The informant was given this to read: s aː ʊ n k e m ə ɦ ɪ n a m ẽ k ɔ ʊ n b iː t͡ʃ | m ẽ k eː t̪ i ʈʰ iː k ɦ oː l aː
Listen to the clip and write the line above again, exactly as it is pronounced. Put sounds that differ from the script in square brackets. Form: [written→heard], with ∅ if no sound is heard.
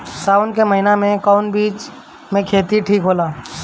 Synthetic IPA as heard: s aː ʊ n k e m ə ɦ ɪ n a m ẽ k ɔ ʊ n b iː t͡ʃ | m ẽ [k→kʰ] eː t̪ i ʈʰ iː k ɦ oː l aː